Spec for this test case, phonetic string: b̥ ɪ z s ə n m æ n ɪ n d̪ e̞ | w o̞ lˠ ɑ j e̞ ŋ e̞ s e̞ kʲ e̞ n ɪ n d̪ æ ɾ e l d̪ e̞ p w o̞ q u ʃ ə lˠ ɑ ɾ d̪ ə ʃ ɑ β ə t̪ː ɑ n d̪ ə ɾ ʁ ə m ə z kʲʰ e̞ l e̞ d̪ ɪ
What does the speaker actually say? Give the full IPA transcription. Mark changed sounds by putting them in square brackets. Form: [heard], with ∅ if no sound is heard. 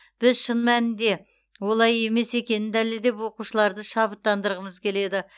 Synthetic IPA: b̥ ɪ z [ʃ] ə n m æ n ɪ n d̪ e̞ | w o̞ lˠ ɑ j e̞ [m] e̞ s e̞ kʲ e̞ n ɪ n d̪ æ [l] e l d̪ e̞ p w o̞ q u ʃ ə lˠ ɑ ɾ d̪ ə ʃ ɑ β ə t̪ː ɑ n d̪ ə ɾ ʁ ə m ə z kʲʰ e̞ l e̞ d̪ ɪ